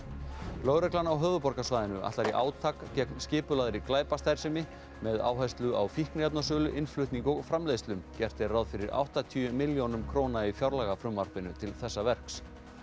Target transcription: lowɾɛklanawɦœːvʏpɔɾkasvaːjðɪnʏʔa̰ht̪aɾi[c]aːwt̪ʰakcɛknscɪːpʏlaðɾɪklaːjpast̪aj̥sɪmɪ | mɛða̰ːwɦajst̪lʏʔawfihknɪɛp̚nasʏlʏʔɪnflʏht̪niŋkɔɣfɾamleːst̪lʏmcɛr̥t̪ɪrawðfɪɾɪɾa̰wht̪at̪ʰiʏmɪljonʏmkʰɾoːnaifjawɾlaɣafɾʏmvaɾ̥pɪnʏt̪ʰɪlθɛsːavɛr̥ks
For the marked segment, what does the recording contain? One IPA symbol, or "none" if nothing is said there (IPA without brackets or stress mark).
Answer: ʔ